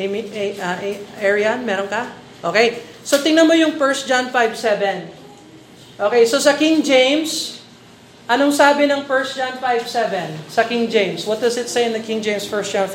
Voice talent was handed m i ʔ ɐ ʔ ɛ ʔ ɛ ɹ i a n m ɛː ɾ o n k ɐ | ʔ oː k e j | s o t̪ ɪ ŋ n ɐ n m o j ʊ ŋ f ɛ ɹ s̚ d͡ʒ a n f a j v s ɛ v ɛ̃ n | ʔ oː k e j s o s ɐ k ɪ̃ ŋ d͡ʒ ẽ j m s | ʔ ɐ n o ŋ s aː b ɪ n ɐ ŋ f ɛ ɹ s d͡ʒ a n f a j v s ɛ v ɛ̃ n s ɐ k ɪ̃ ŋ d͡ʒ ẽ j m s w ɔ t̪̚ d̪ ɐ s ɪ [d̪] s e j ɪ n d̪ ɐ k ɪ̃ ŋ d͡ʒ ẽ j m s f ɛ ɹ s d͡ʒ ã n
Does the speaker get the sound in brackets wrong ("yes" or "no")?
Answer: yes